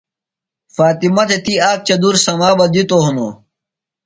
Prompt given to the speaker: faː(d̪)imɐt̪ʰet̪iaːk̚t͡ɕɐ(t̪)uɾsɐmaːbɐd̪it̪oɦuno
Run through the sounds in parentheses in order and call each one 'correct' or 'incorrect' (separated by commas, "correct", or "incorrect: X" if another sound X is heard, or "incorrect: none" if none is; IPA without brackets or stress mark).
incorrect: t̪, incorrect: d̪